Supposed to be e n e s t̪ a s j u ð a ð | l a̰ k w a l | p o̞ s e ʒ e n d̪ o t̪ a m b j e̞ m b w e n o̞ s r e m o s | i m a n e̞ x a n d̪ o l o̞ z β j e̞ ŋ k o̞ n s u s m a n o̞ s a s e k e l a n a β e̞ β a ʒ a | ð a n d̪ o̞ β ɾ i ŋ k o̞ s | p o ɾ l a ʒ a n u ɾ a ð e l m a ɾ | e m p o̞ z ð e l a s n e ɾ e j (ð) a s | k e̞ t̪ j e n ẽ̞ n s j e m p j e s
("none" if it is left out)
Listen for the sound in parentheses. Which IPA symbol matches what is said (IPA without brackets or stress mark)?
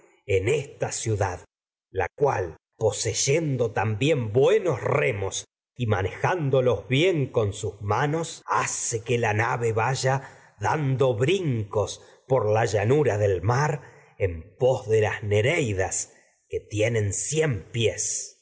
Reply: ð